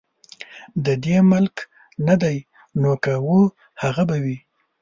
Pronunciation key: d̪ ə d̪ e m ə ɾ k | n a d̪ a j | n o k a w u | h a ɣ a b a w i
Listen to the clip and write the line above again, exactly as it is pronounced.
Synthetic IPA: d̪ ə d̪ e m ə l k | n a d̪ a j | n o k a w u | h a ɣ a b a w i